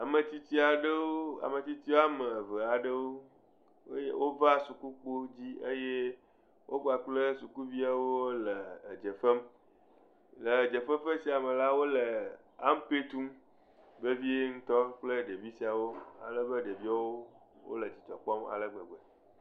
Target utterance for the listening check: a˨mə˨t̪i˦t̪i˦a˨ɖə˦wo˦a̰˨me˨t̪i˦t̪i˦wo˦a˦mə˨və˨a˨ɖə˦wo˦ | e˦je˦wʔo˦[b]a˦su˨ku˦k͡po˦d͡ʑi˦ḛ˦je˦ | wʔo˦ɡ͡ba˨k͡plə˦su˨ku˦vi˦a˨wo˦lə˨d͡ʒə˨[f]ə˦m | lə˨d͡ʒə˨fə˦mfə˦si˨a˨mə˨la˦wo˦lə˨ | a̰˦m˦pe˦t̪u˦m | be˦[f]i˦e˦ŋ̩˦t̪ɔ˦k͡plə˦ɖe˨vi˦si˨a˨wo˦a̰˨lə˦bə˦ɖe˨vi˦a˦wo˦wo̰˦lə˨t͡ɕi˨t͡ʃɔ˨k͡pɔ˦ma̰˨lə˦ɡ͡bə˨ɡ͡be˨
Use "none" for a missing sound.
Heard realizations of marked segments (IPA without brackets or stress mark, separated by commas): v, f, v